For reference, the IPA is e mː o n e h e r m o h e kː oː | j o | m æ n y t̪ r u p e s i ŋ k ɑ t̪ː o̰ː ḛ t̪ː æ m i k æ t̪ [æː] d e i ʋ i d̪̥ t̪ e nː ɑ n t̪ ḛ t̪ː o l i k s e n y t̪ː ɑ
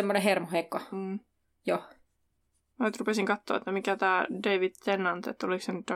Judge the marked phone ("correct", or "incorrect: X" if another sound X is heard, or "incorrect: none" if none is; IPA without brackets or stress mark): correct